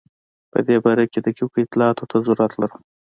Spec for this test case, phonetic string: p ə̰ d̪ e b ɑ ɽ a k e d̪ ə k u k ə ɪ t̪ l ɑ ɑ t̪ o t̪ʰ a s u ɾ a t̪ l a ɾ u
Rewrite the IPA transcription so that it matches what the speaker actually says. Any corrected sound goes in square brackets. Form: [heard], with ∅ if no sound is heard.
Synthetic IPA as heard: p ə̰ d̪ e b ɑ [ɾ] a k e d̪ ə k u k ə ɪ t̪ l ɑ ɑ t̪ o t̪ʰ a [z] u ɾ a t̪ l a ɾ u